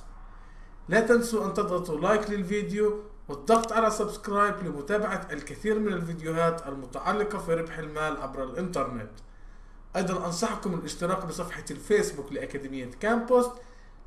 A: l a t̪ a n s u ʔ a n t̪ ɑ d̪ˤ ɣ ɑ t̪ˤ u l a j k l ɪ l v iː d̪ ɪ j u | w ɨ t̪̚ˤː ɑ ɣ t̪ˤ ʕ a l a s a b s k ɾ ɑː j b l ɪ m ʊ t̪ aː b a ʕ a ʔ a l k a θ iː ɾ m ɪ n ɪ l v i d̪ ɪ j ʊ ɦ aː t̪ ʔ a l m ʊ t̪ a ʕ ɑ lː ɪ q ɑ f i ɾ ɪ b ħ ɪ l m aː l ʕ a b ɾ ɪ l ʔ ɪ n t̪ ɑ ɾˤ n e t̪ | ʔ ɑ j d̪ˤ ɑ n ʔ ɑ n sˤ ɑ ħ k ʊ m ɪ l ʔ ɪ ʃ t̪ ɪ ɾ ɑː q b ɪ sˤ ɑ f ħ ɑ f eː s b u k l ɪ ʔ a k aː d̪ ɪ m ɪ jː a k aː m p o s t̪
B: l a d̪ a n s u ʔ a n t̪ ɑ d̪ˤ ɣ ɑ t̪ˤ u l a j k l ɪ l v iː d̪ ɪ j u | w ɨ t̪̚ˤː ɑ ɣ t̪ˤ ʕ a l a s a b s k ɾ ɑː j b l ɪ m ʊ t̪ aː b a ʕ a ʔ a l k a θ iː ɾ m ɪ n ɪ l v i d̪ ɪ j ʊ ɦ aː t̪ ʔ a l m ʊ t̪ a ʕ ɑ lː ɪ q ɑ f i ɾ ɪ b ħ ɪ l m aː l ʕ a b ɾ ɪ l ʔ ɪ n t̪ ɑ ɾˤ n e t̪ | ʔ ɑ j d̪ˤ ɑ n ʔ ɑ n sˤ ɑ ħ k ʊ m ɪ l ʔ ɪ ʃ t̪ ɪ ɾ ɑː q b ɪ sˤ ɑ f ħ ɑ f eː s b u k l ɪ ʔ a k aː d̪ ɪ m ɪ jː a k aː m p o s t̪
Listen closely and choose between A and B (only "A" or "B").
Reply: A